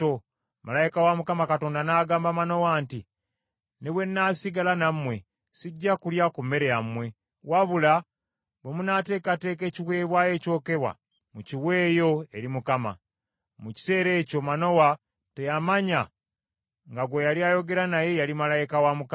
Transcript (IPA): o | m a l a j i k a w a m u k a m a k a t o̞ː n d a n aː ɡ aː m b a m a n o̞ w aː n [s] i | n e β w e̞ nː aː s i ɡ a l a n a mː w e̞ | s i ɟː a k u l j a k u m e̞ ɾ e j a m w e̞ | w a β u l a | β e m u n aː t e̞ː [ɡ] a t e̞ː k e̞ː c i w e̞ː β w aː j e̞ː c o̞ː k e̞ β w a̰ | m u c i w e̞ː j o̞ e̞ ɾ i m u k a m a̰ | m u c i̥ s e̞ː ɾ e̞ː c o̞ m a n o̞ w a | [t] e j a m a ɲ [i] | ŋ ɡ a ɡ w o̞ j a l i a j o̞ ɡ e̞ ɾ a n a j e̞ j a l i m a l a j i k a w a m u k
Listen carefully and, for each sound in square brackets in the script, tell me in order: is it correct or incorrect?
incorrect, incorrect, correct, incorrect

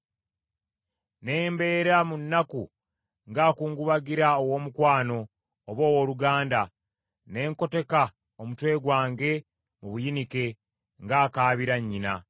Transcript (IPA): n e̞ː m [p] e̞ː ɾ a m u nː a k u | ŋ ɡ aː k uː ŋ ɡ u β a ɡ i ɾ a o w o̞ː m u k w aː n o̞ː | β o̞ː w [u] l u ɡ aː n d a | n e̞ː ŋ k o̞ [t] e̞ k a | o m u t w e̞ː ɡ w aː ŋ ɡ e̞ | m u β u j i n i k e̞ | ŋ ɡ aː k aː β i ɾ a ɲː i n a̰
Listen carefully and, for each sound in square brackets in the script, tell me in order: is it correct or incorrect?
incorrect, incorrect, correct

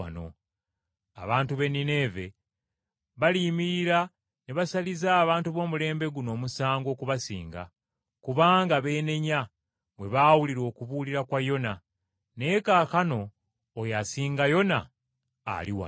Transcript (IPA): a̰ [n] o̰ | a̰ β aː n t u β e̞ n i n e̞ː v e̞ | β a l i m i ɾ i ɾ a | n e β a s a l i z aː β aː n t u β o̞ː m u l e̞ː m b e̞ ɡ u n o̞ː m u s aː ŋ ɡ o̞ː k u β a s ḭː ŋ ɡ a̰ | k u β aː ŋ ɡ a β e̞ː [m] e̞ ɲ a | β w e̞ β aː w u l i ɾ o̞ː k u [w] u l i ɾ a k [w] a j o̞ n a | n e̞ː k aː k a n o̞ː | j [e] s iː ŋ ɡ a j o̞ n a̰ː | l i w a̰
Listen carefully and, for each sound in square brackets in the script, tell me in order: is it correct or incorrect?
correct, incorrect, incorrect, correct, incorrect

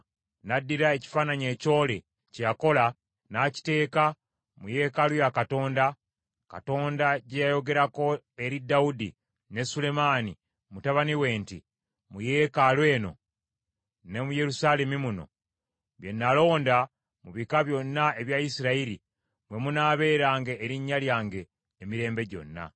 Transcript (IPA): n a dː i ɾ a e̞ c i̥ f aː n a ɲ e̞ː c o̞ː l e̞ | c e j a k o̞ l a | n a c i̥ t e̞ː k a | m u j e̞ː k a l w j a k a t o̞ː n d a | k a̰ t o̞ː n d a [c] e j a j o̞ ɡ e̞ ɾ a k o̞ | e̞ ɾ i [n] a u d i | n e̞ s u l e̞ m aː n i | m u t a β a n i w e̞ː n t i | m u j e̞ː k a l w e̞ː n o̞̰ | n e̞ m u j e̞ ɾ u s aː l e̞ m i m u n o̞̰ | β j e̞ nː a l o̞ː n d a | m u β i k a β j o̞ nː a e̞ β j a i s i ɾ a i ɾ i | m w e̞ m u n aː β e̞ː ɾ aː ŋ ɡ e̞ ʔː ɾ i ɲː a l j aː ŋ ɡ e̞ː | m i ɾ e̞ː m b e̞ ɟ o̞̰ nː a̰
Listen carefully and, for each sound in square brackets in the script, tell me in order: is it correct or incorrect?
incorrect, incorrect

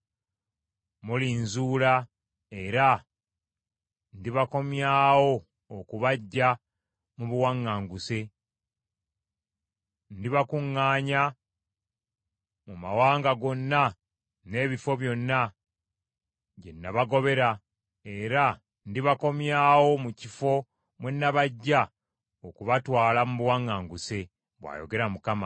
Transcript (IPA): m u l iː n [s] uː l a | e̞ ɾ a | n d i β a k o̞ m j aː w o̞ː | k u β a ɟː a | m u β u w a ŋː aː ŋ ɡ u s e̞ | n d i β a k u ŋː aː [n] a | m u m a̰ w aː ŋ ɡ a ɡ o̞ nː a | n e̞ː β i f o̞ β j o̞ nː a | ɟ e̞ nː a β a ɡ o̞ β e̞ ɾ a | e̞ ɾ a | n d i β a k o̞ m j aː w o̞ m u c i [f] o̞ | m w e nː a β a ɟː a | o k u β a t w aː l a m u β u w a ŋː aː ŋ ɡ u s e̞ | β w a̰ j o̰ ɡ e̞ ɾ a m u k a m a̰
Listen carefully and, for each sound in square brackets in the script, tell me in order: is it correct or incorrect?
incorrect, incorrect, correct

